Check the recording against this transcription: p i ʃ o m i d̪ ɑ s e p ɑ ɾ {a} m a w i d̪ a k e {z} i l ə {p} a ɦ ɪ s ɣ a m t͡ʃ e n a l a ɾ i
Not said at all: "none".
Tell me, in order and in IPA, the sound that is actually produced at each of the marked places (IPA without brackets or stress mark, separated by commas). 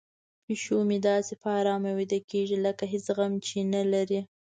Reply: ɑ, ʒ, k